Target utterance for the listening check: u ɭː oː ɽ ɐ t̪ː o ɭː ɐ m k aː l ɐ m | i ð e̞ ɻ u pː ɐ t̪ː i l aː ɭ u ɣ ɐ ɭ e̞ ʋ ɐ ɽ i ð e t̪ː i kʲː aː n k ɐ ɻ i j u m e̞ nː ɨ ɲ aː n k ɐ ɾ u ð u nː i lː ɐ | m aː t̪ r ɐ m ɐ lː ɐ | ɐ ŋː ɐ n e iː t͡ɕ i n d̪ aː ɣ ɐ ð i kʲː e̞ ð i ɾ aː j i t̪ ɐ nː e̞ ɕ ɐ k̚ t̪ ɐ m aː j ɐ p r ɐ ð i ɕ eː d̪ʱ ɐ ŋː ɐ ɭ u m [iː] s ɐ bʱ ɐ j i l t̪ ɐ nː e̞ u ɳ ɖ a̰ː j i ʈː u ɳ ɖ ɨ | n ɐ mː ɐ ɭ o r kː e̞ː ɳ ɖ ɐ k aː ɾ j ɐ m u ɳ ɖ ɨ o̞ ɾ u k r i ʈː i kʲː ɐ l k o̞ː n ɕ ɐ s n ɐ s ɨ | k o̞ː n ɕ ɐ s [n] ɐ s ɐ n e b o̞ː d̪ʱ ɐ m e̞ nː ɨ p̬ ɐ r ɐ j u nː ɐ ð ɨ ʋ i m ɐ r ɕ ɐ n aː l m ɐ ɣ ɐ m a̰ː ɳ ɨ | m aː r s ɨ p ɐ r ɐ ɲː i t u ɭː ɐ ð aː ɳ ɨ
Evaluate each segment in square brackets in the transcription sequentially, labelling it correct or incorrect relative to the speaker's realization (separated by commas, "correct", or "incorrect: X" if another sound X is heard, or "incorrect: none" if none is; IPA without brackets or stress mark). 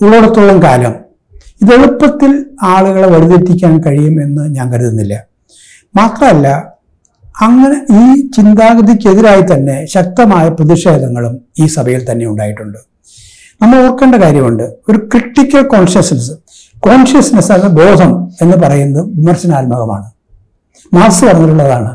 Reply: correct, correct